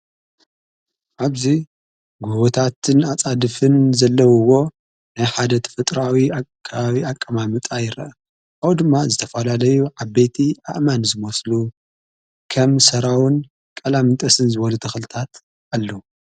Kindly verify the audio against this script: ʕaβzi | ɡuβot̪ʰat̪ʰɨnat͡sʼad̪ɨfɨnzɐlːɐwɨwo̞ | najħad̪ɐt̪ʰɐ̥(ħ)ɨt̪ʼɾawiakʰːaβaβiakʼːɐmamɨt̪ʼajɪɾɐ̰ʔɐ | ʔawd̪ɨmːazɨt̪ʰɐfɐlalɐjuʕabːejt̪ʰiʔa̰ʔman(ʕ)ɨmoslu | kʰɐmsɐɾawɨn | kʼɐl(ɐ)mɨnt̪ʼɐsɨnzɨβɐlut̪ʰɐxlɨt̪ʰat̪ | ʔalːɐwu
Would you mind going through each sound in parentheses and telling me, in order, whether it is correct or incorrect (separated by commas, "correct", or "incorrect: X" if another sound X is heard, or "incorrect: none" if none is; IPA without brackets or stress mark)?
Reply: incorrect: f, incorrect: z, incorrect: a